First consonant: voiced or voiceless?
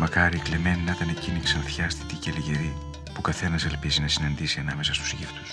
voiced